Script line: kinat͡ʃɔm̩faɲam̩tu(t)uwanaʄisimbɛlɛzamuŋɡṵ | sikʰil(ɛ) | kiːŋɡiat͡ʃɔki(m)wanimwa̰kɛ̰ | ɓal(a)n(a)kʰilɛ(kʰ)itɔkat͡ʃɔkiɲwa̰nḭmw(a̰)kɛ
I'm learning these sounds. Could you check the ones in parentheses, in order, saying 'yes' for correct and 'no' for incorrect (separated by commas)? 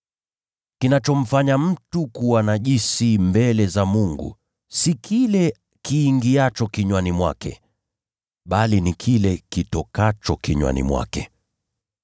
no, yes, no, no, no, no, yes